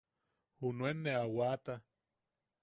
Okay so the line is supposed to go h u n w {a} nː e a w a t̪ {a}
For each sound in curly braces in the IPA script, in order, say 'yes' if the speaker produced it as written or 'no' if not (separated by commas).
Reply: no, yes